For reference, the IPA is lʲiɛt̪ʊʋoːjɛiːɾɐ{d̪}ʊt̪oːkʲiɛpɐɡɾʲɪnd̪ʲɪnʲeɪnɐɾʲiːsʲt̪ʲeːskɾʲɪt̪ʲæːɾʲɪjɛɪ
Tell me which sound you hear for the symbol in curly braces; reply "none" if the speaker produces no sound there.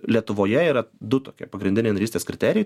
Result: d̪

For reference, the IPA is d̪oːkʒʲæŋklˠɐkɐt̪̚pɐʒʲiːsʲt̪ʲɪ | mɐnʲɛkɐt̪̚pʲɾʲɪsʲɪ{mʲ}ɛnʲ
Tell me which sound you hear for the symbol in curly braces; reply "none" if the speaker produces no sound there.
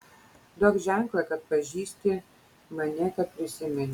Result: mʲ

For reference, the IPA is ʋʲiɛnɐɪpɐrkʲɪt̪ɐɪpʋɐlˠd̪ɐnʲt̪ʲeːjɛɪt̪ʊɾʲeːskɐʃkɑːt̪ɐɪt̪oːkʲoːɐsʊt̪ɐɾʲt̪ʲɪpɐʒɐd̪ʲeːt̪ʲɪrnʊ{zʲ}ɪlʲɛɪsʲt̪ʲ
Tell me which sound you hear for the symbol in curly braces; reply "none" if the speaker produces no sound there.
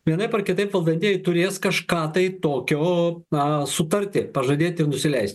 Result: sʲ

